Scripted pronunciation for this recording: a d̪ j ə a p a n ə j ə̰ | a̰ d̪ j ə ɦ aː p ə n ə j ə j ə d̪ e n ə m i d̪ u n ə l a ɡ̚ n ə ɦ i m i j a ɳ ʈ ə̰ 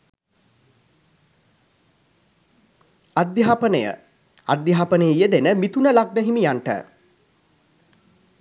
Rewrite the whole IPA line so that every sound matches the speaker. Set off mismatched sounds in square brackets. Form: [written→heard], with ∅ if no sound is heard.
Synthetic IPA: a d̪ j [ə→a] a p [a→ə] n ə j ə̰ | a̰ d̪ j [ə→a] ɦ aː p ə n ə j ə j ə d̪ e n ə m i [d̪→t̪] u n ə l a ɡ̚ n ə ɦ i m i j a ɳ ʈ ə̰